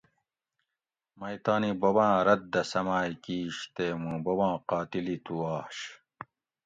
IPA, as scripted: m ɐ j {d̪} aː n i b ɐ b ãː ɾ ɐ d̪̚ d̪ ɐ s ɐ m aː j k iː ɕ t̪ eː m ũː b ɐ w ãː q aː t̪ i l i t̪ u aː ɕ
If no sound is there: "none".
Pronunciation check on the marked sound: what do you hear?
t̪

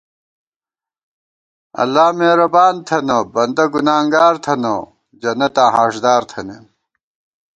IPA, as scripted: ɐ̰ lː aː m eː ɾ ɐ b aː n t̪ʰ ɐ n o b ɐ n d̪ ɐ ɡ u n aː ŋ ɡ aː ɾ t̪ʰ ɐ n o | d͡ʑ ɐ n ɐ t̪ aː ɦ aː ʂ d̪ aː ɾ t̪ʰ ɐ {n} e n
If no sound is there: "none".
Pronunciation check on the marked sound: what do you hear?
n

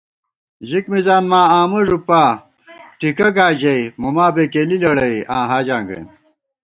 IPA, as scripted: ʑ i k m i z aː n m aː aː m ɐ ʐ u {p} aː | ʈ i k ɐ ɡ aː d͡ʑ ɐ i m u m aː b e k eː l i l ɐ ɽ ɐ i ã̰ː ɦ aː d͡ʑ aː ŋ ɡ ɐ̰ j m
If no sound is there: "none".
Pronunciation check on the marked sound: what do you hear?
p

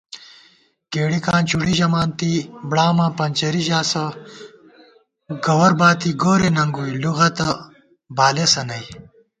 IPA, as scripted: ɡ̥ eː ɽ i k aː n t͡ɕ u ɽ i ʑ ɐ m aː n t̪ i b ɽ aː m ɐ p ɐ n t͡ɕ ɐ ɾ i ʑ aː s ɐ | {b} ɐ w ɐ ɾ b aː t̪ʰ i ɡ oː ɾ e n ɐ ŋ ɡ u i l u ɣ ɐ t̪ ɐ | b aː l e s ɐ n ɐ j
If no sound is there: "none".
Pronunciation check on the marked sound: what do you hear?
ɡ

